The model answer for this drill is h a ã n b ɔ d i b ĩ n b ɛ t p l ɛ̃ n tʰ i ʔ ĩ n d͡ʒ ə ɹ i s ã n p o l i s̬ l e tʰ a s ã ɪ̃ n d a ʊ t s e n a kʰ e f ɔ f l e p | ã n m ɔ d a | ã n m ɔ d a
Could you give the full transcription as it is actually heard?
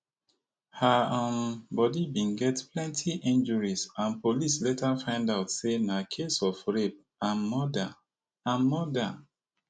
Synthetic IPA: h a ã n b ɔ d i b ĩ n ɡ ɛ t p l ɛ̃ n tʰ i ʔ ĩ n d͡ʒ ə ɹ i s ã n p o l i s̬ l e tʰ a f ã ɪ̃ n d a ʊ t s e n a kʰ e s ɔ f ɹ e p | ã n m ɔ d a | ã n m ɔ d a